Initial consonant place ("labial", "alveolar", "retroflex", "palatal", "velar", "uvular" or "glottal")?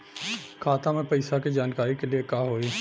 velar